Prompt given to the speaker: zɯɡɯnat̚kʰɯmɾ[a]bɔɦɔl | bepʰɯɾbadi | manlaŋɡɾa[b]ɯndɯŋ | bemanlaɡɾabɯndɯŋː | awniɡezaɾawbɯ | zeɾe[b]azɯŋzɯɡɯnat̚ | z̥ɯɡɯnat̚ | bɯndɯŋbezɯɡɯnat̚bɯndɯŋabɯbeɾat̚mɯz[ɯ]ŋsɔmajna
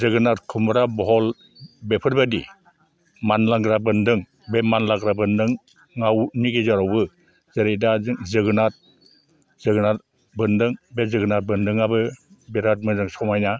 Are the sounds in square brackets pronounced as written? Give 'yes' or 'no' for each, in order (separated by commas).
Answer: yes, yes, no, yes